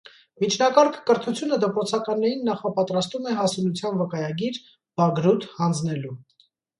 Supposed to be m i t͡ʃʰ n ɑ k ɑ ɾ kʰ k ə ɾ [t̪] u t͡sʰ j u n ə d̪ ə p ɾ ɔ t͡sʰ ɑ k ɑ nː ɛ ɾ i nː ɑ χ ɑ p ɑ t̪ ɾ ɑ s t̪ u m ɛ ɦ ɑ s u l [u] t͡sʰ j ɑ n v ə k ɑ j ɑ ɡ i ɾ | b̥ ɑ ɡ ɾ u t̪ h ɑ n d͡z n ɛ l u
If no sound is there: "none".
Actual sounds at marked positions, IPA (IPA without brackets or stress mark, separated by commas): t̪ʰ, u